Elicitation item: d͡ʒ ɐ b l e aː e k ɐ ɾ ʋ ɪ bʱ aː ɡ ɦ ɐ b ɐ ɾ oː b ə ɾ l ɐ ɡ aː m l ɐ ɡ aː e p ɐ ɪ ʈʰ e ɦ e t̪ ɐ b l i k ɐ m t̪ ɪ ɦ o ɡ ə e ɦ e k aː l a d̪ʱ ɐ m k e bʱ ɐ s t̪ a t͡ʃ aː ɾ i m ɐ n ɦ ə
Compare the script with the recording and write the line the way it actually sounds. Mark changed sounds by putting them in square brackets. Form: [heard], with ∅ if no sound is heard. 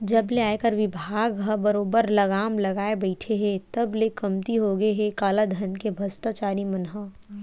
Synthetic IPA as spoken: d͡ʒ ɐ b l e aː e k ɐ ɾ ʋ ɪ bʱ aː ɡ ɦ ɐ b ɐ ɾ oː b ə ɾ l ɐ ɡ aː m l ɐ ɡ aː e [b] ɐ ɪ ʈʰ e ɦ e t̪ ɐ b l [e] k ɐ m t̪ [i] ɦ o ɡ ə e ɦ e k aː l a d̪ʱ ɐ [n] k e bʱ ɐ s t̪ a t͡ʃ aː ɾ i m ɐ n ɦ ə

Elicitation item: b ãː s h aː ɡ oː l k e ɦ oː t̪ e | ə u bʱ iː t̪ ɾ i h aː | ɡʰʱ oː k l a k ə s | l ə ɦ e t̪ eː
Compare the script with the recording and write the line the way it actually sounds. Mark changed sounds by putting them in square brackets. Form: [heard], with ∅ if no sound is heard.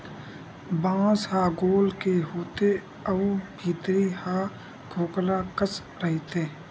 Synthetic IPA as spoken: b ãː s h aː ɡ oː l k e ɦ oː t̪ e | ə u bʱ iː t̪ ɾ i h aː | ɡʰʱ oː k l a k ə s | [ɾ] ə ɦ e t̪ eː

